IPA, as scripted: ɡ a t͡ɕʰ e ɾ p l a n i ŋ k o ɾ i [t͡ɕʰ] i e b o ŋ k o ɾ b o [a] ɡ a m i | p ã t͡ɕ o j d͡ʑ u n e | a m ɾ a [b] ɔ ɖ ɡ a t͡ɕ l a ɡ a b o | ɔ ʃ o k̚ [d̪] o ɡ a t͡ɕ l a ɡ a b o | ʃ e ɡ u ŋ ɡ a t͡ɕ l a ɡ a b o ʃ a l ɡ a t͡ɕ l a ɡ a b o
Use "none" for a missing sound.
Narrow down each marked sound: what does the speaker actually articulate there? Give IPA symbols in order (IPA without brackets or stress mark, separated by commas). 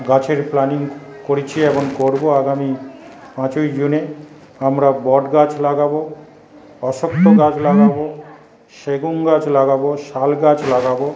t͡ɕʰ, a, b, t̪